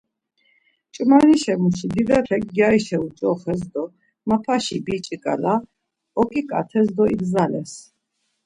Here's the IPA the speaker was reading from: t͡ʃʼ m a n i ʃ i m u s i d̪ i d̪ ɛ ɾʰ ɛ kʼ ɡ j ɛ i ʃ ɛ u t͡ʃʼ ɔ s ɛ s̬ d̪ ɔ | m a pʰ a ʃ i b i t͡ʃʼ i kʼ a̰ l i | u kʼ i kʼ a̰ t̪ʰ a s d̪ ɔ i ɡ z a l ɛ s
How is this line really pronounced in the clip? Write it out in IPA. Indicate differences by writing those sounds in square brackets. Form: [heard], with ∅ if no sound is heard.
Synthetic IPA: t͡ʃʼ m a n i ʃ [ɛ] m u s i d̪ i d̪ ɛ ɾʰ ɛ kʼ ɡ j [a] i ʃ ɛ u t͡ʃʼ ɔ [χ] ɛ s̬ d̪ ɔ | m a pʰ a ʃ i b i t͡ʃʼ i kʼ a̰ l [a] | [ɔ] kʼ i kʼ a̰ t̪ʰ [ɛ] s d̪ ɔ i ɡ z a l ɛ s